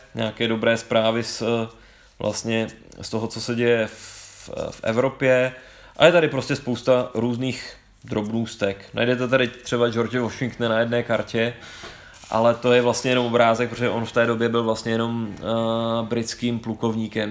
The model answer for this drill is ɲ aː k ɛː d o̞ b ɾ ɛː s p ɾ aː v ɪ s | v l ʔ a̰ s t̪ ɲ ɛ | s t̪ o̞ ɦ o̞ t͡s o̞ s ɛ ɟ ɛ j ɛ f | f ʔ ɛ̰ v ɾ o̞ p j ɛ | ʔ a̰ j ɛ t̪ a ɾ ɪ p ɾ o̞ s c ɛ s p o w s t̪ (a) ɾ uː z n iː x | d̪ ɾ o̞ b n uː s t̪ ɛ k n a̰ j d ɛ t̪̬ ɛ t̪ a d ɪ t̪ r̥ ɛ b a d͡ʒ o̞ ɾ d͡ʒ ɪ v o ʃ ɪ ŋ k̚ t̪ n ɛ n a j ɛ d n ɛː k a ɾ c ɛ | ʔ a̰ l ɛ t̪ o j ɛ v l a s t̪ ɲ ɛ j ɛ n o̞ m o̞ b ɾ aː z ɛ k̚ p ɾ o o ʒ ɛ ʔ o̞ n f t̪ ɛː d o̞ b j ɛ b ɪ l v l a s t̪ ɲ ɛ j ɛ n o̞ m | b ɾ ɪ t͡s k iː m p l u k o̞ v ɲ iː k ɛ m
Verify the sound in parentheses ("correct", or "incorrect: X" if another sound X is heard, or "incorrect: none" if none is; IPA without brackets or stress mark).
correct